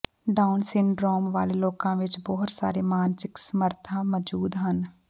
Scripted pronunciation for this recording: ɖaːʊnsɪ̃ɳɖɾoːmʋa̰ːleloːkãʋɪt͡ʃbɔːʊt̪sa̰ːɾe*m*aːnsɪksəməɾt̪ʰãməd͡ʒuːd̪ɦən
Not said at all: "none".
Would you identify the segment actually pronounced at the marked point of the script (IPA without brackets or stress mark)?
m